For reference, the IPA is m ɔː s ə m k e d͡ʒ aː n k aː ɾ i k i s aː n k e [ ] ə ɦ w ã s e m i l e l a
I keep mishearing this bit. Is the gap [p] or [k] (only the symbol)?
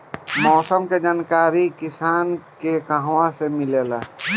k